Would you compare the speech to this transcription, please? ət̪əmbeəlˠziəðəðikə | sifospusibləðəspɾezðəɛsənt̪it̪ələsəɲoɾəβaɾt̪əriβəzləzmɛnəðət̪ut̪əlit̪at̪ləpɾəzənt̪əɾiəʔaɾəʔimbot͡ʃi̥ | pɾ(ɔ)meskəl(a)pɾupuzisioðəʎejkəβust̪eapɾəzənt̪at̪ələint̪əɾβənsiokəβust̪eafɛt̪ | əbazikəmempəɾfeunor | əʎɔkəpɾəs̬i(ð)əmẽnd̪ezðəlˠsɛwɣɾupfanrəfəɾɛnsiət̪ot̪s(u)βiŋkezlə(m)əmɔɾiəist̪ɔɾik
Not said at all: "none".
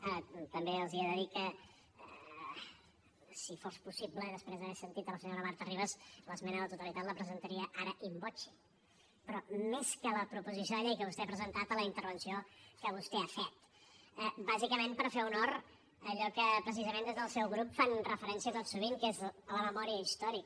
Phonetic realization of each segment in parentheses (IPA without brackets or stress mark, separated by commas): ɔ, ə, z, u, m